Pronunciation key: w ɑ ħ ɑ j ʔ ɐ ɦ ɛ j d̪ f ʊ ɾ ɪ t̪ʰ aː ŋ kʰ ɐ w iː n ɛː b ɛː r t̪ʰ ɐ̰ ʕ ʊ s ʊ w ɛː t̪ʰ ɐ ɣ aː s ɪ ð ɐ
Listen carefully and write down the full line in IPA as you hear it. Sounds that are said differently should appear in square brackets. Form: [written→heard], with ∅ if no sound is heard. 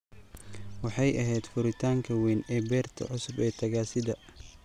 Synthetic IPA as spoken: w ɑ ħ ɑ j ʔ ɐ ɦ ɛ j d̪ f ʊ ɾ ɪ t̪ʰ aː ŋ kʰ ɐ w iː n ɛː b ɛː r t̪ʰ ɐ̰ ʕ ʊ s ʊ [w→b] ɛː t̪ʰ ɐ ɣ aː s ɪ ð ɐ